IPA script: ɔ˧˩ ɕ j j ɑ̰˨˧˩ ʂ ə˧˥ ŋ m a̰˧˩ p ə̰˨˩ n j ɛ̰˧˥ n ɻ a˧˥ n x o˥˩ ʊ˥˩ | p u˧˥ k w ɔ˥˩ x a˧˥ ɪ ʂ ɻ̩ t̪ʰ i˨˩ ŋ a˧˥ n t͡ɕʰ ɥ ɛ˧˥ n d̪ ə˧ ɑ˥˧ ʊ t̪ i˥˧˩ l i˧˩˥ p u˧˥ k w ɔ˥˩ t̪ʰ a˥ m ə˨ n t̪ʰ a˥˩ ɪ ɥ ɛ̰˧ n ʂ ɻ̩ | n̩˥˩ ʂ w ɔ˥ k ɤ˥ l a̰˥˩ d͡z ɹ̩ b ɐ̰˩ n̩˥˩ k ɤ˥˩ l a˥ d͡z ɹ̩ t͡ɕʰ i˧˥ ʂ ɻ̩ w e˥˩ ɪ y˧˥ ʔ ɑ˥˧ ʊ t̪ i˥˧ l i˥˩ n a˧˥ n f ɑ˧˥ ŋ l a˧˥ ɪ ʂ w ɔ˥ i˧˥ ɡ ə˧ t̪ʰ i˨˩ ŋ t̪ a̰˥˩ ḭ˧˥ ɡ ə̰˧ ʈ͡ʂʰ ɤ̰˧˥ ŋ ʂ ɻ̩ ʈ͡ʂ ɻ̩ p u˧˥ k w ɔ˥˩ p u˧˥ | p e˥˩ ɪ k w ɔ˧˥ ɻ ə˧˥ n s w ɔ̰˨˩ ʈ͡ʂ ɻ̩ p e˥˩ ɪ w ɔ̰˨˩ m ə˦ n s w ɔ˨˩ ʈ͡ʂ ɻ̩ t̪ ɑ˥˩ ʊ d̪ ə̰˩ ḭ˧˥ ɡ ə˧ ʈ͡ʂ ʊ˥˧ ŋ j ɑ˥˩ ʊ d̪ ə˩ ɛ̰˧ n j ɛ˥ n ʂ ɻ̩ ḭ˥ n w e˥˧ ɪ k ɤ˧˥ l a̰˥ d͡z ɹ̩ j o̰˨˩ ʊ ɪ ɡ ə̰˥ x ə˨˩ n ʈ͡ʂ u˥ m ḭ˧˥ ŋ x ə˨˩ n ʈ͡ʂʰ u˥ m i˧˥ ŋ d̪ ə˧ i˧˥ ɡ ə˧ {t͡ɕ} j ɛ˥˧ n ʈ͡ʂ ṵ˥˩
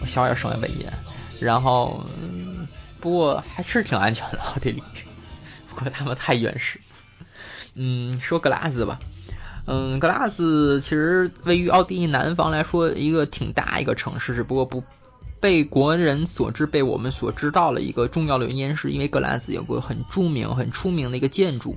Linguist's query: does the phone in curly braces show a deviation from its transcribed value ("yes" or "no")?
no